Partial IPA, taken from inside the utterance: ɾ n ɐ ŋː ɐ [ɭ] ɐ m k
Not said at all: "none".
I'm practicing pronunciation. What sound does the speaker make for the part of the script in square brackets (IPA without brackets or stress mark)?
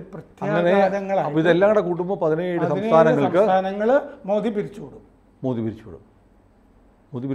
ɭ